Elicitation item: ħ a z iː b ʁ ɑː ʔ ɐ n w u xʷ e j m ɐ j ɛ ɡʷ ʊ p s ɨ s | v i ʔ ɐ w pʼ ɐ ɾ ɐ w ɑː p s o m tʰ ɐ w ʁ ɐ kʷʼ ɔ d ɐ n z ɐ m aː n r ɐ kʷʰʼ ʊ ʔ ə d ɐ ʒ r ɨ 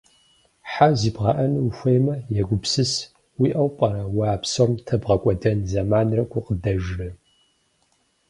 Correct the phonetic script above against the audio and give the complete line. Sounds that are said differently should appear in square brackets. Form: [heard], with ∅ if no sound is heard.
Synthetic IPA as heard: ħ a z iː b ʁ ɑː ʔ ɐ n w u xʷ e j m ɐ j ɛ ɡʷ ʊ p s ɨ s | [w] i ʔ ɐ w pʼ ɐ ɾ ɐ w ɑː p s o m tʰ ɐ [b] ʁ ɐ kʷʼ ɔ d ɐ n z ɐ m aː n r ɐ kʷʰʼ ʊ [q] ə d ɐ ʒ r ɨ